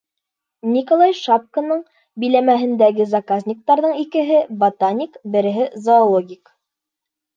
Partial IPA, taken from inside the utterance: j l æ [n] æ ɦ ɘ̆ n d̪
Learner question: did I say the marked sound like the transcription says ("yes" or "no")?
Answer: no